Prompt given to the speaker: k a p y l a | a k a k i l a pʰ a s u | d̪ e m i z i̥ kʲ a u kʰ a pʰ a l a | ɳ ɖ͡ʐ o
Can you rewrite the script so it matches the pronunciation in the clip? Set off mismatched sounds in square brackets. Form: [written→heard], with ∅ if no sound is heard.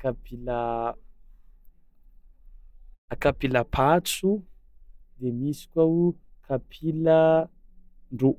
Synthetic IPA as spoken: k a p [y→i] l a | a k a [k→p] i l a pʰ a [s→t͡s] u | d̪ e m i [z→s] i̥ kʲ a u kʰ a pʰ [a→i] l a | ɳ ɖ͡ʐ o